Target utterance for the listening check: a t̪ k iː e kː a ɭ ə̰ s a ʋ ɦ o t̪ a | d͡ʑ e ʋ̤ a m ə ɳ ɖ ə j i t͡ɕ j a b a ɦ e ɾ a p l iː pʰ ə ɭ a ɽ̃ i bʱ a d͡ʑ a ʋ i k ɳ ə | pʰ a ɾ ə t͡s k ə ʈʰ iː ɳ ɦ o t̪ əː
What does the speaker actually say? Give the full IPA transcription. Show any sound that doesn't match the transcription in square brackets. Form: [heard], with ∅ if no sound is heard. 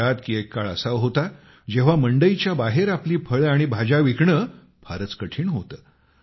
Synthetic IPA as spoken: a t̪ k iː e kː a ɭ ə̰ s a ʋ ɦ o t̪ a | d͡ʑ e ʋ̤ a m ə ɳ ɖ ə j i t͡ɕ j a b a ɦ e ɾ a p l iː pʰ ə ɭ a ɽ̃ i bʱ a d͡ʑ a ʋ i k ɳ ə | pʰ a ɾ ə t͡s k ə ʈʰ iː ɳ ɦ o t̪ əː